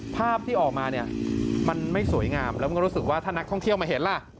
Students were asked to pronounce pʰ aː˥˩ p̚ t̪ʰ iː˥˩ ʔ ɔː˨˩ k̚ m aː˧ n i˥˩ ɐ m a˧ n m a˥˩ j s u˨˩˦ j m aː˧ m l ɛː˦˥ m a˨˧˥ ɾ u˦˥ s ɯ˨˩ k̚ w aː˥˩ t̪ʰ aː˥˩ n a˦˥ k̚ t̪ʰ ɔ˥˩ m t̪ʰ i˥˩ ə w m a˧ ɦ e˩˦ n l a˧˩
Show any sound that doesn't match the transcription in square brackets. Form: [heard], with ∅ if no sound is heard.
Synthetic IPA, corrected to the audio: pʰ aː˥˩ p̚ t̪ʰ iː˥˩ ʔ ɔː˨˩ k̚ m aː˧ n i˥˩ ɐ m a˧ n m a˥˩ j s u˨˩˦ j [ŋ] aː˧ m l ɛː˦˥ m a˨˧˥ ɾ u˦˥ s ɯ˨˩ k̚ w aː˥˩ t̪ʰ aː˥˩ n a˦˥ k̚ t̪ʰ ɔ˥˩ [ŋ] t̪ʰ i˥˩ ə w m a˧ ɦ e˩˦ n l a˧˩